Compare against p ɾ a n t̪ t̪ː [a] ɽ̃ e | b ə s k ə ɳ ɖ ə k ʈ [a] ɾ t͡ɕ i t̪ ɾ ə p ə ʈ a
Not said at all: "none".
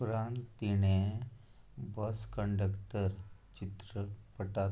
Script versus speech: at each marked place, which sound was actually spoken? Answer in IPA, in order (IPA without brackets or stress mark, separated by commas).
i, ə